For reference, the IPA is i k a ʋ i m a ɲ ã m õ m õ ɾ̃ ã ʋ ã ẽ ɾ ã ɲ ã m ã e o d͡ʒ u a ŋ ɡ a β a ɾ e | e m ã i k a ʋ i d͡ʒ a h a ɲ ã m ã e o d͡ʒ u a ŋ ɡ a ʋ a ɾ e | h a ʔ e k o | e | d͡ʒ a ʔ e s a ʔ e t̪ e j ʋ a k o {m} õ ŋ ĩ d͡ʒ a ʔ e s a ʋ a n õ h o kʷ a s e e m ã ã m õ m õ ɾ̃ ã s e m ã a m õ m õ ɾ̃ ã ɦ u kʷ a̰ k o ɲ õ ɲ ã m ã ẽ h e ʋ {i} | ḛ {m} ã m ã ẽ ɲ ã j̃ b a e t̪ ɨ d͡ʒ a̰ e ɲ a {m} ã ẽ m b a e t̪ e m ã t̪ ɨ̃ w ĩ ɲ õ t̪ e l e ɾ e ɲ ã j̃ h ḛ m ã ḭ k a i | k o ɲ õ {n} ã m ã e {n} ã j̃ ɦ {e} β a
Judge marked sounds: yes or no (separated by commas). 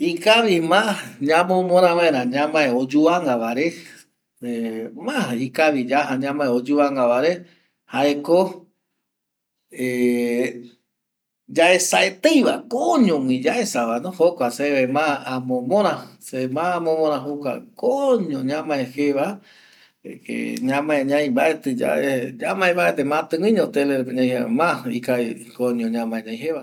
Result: no, no, no, yes, no, no, yes